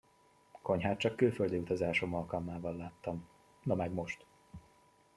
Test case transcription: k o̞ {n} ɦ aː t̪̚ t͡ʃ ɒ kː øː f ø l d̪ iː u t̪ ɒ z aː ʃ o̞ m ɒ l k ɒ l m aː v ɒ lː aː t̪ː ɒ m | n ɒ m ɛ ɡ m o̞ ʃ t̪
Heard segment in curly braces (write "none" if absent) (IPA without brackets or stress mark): ɲ